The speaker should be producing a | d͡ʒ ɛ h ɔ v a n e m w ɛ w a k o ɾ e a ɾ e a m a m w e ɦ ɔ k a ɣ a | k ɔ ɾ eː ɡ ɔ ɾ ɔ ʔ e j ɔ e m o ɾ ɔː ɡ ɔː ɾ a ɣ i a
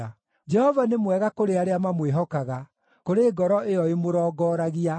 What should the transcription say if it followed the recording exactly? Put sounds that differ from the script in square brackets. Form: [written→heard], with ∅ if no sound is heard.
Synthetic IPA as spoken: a | d͡ʒ ɛ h ɔ v a n e m w ɛ [w→ɣ] a k o ɾ e a ɾ e a m a m w e ɦ ɔ k a ɣ a | k [ɔ→o] ɾ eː ɡ ɔ ɾ ɔ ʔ e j ɔ e m o ɾ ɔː ɡ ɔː ɾ a ɣ i a